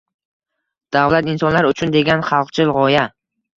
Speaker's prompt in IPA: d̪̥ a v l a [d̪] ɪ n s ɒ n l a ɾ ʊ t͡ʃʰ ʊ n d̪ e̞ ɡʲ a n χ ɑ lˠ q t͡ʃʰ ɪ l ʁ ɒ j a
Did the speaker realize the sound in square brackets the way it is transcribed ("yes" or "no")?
no